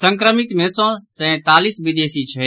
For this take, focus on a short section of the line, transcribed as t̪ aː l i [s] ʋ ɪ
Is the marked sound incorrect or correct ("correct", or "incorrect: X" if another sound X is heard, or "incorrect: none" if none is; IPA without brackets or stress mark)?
correct